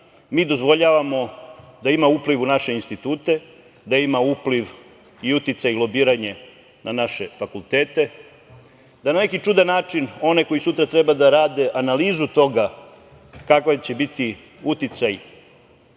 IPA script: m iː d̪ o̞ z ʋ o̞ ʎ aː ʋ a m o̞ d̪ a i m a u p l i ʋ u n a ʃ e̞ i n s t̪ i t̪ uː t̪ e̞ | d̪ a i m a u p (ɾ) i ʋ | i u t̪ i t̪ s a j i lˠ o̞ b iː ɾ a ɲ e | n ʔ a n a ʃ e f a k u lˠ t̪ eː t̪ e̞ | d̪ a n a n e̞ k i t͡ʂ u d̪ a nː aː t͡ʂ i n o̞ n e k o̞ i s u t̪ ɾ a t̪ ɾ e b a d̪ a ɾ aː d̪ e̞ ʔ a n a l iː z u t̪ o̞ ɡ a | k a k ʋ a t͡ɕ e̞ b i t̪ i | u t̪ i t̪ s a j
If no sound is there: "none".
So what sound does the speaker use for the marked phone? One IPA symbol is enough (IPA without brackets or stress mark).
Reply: l